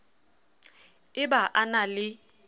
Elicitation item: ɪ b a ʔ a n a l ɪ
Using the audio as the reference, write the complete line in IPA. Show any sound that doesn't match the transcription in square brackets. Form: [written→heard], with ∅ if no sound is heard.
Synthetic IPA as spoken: ɪ b a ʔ a n a l ɪ